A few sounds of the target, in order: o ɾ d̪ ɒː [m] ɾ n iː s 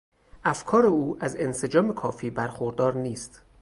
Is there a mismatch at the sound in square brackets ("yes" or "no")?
yes